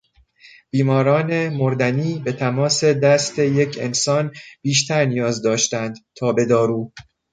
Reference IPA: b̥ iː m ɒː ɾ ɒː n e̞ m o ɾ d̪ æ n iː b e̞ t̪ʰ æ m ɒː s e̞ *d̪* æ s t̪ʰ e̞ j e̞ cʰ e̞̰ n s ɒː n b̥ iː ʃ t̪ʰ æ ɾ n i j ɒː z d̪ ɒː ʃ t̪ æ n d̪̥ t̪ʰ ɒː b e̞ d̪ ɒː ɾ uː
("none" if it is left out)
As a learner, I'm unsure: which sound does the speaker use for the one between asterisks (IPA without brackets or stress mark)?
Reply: d̪